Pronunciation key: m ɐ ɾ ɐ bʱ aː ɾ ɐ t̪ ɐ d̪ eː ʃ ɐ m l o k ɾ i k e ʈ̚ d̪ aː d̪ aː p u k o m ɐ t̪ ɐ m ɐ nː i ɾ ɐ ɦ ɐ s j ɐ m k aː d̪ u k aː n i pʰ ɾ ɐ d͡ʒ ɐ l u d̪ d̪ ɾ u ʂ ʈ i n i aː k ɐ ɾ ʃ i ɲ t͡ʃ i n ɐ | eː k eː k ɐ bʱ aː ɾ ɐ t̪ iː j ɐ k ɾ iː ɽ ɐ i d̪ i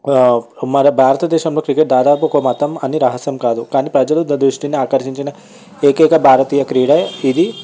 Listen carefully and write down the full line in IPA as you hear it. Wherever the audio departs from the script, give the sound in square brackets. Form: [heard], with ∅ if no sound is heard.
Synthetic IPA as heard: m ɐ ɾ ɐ bʱ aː ɾ ɐ t̪ ɐ d̪ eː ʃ ɐ m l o k ɾ i k e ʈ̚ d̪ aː d̪ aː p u k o m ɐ t̪ ɐ m ɐ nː i ɾ ɐ ɦ ɐ s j ɐ m k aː d̪ u k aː n i [p] ɾ ɐ d͡ʒ ɐ l u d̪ d̪ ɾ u ʂ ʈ i n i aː k ɐ ɾ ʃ i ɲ t͡ʃ i n ɐ | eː k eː k ɐ bʱ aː ɾ ɐ t̪ iː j ɐ k ɾ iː ɽ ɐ i d̪ i